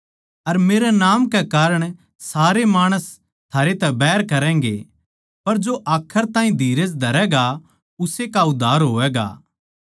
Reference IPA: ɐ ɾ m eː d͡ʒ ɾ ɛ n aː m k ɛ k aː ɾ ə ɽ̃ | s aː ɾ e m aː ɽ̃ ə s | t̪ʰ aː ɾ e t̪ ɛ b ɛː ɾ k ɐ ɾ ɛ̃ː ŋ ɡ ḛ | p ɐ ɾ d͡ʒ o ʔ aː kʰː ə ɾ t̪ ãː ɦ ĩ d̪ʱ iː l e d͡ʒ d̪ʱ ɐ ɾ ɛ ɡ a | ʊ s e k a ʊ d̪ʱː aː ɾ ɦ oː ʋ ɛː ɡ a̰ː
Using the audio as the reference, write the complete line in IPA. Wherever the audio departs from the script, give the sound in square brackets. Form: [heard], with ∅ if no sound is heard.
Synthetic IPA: ɐ ɾ m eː [∅] ɾ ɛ n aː m k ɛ k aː ɾ ə ɽ̃ | s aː ɾ e m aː ɽ̃ ə s | t̪ʰ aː ɾ e t̪ ɛ b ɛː ɾ k ɐ ɾ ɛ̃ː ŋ ɡ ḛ | p ɐ ɾ d͡ʒ o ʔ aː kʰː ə ɾ t̪ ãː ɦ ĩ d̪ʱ iː [ɾ] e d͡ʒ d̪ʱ ɐ ɾ ɛ ɡ a | ʊ s e k a ʊ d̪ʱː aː ɾ ɦ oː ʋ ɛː ɡ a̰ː